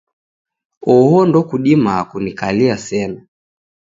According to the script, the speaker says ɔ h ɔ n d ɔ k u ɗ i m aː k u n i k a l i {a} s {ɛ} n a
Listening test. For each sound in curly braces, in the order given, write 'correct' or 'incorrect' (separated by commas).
correct, correct